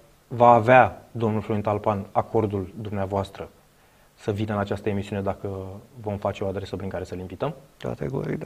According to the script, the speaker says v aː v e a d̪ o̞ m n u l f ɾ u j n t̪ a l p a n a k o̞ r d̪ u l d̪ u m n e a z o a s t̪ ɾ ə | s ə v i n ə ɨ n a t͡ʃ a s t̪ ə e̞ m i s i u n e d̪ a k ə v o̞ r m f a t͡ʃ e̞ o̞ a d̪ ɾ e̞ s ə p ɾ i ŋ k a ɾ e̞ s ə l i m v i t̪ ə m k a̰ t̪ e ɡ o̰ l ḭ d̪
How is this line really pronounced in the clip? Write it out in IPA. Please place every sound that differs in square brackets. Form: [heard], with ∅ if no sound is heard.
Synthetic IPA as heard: v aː v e a d̪ o̞ m n u l f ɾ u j n t̪ a l p a n a k o̞ r d̪ u l d̪ u m n e a [v] o a s t̪ ɾ ə | s ə v i n ə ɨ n a t͡ʃ a s t̪ ə e̞ m i s i u n e d̪ a k ə v o̞ [∅] m f a t͡ʃ e̞ o̞ a d̪ ɾ e̞ s ə p ɾ i ŋ k a ɾ e̞ s ə l i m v i t̪ ə m k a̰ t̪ e ɡ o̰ [ɾ] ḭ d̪